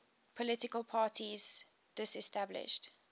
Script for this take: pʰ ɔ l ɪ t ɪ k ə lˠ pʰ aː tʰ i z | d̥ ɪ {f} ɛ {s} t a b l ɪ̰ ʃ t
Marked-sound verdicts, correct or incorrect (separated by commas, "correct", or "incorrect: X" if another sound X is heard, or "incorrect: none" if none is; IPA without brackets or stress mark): incorrect: s, correct